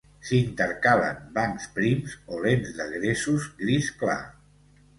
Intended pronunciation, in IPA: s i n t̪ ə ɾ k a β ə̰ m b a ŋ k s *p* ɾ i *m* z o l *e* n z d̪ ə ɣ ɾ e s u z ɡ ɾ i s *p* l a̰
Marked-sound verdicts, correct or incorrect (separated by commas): correct, correct, correct, incorrect